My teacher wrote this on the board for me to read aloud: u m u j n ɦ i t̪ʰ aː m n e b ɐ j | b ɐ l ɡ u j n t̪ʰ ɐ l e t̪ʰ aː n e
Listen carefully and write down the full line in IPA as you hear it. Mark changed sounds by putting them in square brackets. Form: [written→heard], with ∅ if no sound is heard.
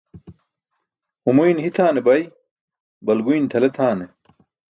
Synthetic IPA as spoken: u m u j n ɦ i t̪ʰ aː [m→∅] n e b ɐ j | b ɐ l ɡ u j n t̪ʰ ɐ l e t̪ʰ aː n e

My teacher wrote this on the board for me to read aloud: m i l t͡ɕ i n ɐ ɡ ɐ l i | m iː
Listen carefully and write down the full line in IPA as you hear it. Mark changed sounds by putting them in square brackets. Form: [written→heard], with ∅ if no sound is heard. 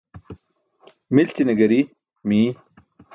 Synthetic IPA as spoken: m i l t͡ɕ i n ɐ ɡ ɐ [l→ɾ] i | m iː

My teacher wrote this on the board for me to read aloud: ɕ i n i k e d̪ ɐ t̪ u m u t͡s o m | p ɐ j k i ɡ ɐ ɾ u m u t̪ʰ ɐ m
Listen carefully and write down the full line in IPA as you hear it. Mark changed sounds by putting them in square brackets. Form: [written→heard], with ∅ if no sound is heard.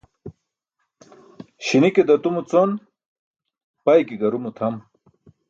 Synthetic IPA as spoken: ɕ i n i k e d̪ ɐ t̪ u m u t͡s o [m→n] | p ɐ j k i ɡ ɐ ɾ u m u t̪ʰ ɐ m

